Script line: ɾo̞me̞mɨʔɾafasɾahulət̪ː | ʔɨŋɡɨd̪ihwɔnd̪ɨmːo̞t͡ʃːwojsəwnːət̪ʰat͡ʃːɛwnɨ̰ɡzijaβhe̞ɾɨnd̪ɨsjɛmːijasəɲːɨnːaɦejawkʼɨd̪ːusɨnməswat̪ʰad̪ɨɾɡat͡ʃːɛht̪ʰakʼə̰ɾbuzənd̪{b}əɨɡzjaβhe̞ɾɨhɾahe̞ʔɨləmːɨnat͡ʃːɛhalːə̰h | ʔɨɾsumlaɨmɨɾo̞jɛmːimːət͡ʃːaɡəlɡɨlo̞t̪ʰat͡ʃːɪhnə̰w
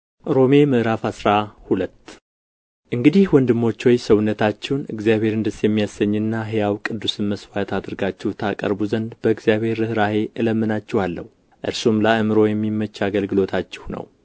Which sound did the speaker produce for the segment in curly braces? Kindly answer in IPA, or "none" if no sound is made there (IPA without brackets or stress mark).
b